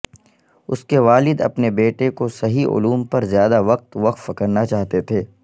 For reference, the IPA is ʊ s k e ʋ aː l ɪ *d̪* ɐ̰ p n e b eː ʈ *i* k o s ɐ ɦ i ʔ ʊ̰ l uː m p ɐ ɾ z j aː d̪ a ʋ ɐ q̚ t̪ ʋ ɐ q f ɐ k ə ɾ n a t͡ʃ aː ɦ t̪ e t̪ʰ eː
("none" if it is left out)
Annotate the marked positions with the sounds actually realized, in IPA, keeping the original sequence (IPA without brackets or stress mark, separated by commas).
d̪, e